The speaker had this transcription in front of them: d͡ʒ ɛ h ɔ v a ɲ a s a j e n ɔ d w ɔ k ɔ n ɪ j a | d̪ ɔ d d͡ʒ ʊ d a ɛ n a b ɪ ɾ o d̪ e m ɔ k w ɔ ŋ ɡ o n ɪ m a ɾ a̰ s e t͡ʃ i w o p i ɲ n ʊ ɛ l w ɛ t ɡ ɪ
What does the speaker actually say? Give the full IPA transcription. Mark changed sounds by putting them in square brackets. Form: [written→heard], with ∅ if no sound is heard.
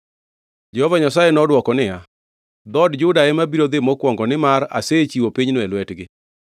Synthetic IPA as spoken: d͡ʒ ɛ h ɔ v a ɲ a s a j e n ɔ d w ɔ k ɔ n ɪ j a | d̪ ɔ d d͡ʒ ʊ d a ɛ [n→m] a b [ɪ→i] ɾ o d̪ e m ɔ k w ɔ ŋ ɡ [o→ɔ] n ɪ m a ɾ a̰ s e t͡ʃ i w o p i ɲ n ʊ ɛ l w ɛ t ɡ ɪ